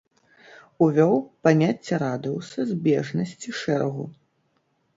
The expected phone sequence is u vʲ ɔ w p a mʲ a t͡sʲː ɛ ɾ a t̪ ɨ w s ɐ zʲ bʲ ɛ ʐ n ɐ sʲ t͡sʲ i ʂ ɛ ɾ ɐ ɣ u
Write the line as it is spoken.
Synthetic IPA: u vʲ ɔ w p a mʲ a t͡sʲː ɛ ɾ a d̪ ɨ w s ɐ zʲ bʲ ɛ ʐ n ɐ sʲ t͡sʲ i ʂ ɛ ɾ ɐ ɣ u